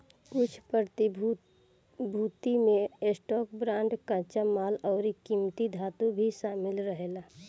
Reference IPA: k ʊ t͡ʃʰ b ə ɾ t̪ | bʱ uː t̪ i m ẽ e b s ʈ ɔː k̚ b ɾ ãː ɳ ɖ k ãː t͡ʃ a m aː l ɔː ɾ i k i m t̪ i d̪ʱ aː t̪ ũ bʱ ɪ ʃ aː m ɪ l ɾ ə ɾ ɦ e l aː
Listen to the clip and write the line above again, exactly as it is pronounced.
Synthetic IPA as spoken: k ʊ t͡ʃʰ p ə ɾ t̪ | bʱ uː t̪ i m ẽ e s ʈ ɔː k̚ b ɾ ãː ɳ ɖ k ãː t͡ʃ a m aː l ɔː ɾ i k i m t̪ i d̪ʱ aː t̪ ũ bʱ i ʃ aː m ɪ l ɾ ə ɦ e l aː